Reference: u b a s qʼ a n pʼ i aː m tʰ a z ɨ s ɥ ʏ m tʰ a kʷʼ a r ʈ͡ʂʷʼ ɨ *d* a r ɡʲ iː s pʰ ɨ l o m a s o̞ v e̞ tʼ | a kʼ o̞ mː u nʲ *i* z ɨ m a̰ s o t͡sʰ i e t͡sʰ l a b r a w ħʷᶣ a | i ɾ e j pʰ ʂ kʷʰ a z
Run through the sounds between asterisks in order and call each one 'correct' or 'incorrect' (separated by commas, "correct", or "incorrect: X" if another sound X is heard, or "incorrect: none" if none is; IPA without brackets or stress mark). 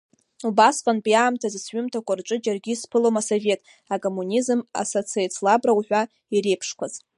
incorrect: d͡ʒ, correct